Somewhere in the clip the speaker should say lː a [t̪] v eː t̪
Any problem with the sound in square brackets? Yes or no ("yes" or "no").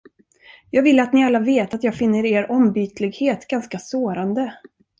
yes